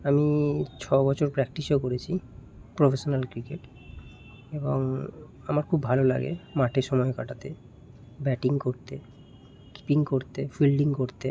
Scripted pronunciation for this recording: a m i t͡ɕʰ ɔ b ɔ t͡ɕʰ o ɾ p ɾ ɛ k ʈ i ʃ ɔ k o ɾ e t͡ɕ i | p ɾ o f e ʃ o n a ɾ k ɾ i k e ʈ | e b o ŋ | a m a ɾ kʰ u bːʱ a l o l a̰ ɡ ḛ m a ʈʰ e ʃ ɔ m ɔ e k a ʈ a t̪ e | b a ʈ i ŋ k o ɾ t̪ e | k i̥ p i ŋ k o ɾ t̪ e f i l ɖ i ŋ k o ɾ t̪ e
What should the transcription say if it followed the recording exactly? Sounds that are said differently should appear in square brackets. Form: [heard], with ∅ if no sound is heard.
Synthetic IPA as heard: a m i t͡ɕʰ ɔ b ɔ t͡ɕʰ o ɾ p ɾ ɛ k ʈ i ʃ [o] k o ɾ e [t͡ɕʰ] i | p ɾ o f e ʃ o n a [l] k ɾ i k e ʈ | e b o ŋ | a m a ɾ kʰ u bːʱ a l o l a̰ ɡ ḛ m a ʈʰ e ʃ ɔ m ɔ e k a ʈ a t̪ e | b [ɛ] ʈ i ŋ k o ɾ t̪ e | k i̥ p i ŋ k o ɾ t̪ e f i l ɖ i ŋ k o ɾ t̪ e